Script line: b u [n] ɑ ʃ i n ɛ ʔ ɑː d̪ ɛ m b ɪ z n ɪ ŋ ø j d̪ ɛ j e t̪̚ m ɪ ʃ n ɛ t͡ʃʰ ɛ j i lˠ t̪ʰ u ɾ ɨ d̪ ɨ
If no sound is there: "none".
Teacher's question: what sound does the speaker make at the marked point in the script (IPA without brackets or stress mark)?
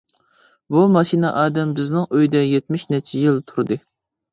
m